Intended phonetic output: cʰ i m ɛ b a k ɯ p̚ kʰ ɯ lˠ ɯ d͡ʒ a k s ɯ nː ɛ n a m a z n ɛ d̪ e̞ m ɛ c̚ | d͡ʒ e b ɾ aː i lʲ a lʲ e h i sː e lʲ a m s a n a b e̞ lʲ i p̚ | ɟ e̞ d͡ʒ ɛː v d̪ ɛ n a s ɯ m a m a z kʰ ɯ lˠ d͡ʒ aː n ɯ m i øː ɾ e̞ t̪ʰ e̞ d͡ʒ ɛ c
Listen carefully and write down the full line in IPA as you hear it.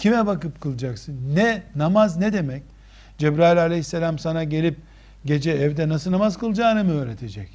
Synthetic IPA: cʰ i m ɛ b a k ɯ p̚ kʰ ɯ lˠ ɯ d͡ʒ a k s ɯ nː ɛ n a m a z n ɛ d̪ e̞ m ɛ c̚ | d͡ʒ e b ɾ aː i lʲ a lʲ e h i sː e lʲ a m s a n a ɟ e̞ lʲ i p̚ | ɟ e̞ d͡ʒ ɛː v d̪ ɛ n a s ɯ n a m a z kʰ ɯ lˠ d͡ʒ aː n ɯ m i øː ɾ e̞ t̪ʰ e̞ d͡ʒ ɛ c